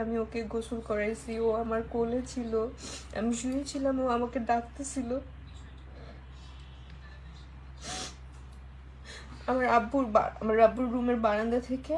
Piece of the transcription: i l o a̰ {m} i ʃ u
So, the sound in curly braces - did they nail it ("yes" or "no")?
yes